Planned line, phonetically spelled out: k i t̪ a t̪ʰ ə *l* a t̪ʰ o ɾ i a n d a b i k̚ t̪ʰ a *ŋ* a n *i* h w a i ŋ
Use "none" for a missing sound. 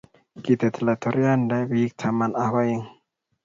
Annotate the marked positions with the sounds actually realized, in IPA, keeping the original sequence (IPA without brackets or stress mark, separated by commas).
l, m, a